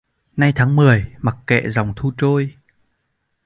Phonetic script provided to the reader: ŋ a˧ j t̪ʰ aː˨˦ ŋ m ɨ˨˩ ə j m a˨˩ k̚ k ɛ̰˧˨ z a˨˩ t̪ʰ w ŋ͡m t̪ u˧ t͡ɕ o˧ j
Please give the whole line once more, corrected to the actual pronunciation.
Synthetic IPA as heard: n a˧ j t̪ʰ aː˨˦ ŋ m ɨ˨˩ ə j m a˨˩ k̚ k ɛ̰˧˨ z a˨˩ w ŋ͡m t̪ʰ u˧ t͡ɕ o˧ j

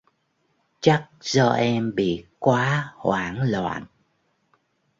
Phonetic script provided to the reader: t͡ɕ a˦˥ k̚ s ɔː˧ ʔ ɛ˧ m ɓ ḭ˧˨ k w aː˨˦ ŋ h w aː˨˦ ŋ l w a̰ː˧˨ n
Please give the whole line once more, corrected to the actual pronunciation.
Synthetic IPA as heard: t͡ɕ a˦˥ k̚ z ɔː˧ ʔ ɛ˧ m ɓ ḭ˧˨ k w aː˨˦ h w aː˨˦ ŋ l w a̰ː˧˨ n

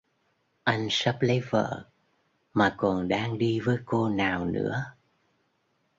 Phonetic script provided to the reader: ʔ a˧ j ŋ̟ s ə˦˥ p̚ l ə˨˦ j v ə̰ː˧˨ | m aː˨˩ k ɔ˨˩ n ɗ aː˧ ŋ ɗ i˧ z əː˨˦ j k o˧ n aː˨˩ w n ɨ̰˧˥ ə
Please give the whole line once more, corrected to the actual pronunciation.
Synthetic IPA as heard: ʔ a˧ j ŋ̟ s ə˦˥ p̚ l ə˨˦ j v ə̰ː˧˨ | m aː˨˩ k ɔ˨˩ n ɗ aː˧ ŋ ɗ i˧ v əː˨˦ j k o˧ n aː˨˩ w n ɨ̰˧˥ ə

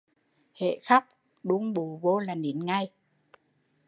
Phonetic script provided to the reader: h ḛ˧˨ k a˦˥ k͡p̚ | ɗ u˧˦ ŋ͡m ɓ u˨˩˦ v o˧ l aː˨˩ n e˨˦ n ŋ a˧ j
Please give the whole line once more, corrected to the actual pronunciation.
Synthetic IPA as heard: h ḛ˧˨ x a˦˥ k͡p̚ | ɗ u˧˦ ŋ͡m ɓ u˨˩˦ v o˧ l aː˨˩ n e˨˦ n ŋ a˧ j

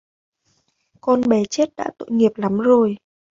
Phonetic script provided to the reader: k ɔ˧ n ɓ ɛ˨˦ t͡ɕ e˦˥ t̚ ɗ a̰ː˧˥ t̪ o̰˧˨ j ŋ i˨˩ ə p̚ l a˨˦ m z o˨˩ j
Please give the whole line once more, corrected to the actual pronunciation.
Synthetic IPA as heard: k ɔ˧ n ɓ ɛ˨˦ t͡ɕ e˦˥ t̚ ɗ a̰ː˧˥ t̪ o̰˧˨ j ŋ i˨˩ ə p̚ l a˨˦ m z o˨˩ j

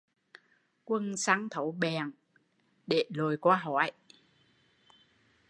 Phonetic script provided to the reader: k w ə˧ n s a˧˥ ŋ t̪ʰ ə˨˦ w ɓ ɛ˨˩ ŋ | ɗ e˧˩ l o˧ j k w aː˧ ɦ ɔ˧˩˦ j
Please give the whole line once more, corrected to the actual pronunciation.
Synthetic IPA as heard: k w ə˧ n s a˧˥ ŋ t̪ʰ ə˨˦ w ɓ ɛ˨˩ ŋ | ɗ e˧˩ l o˨˩ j k w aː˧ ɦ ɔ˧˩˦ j

